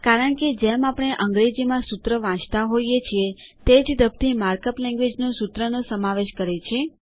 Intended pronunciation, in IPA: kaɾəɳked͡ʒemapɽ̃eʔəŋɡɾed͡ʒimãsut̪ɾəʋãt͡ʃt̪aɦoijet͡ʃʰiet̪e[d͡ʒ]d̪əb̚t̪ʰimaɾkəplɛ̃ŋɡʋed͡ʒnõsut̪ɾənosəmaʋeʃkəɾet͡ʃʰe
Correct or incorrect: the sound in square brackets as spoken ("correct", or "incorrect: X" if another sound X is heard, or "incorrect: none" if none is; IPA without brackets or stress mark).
correct